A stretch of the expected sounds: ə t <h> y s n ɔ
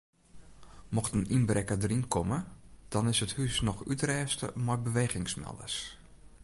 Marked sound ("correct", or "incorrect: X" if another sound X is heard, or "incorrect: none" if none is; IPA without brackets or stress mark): correct